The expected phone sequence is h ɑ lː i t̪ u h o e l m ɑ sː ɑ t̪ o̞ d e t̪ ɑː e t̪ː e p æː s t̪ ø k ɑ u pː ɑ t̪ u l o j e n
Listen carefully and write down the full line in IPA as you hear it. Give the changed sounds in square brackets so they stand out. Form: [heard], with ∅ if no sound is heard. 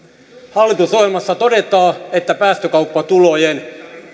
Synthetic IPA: h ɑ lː i t̪ u [s] o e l m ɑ sː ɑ t̪ o̞ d e t̪ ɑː e t̪ː [æ] p æː s t̪ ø k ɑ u pː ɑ t̪ u l o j e n